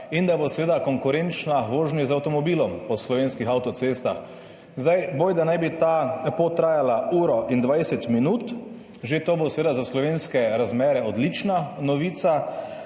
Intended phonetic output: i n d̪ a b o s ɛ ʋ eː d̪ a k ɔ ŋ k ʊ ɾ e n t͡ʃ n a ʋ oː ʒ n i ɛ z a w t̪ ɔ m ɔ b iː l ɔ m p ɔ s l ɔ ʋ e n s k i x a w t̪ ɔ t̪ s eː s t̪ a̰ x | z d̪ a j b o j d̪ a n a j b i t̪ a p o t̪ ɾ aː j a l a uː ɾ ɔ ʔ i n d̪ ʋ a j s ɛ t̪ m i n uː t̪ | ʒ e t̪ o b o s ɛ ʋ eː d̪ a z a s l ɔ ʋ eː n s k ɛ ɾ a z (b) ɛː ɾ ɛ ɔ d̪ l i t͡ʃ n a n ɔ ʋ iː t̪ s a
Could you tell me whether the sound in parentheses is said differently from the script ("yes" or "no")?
yes